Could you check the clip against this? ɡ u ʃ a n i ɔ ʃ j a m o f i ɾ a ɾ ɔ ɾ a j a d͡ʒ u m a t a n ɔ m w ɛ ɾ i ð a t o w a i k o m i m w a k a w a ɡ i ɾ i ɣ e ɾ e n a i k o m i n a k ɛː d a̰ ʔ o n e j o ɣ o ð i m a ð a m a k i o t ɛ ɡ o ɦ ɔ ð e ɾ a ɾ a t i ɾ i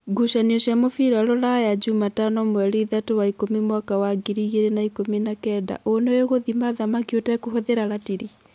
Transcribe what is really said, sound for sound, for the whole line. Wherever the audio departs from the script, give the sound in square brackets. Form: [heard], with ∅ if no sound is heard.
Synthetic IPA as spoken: ɡ u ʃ a n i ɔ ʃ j a m o f i ɾ a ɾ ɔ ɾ a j a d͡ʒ u m a t a n ɔ m w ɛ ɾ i ð a t o w a i k o m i m w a k a w a ɡ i ɾ i ɣ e ɾ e n a i k o m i n a k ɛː d a̰ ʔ o n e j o ɣ o ð i m a ð a m a k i o t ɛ [k] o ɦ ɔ ð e ɾ a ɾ a t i ɾ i